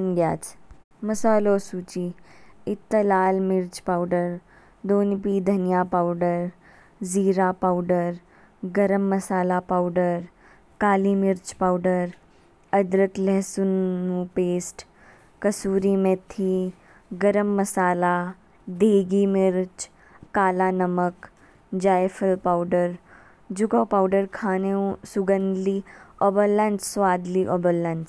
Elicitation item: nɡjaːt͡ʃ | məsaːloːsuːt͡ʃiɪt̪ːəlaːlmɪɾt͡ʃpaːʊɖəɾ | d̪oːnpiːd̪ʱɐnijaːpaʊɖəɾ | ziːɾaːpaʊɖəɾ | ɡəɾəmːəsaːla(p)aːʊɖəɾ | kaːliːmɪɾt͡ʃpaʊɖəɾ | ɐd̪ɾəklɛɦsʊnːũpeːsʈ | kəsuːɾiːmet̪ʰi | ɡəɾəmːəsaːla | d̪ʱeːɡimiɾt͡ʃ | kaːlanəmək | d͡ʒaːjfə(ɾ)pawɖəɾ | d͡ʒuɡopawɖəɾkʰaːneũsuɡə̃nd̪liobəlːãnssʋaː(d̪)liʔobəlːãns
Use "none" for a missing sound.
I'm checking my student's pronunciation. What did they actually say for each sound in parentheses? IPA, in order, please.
p, l, d̪

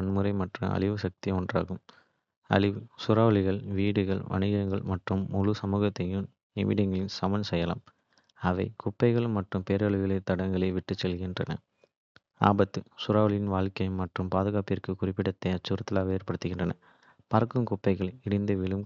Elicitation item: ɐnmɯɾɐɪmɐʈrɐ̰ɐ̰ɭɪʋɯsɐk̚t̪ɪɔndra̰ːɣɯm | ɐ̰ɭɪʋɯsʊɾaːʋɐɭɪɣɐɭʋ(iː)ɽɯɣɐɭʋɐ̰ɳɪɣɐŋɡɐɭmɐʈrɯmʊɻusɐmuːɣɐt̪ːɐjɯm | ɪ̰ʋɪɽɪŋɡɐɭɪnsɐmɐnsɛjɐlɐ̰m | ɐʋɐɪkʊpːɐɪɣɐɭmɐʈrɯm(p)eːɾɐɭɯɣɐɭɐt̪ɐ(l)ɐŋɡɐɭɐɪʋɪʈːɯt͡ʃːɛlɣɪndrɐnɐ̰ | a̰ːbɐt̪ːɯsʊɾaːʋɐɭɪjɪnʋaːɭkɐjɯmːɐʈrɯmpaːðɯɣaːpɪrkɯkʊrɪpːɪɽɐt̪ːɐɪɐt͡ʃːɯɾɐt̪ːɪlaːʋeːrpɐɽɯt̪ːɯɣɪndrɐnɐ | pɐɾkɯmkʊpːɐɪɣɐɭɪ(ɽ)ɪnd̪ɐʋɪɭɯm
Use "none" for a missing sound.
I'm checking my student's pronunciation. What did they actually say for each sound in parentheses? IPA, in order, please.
iː, p, ɽ, ɽ

